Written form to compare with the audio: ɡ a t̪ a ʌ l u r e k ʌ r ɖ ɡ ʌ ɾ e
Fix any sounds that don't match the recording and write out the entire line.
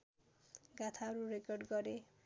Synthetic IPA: ɡ a t̪ʰ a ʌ ɾ u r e k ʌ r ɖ ɡ ʌ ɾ e